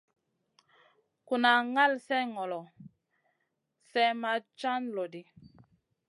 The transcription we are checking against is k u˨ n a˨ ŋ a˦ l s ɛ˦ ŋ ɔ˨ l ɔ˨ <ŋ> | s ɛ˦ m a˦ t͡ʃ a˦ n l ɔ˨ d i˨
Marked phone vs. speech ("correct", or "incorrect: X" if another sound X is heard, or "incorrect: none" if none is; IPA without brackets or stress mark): incorrect: none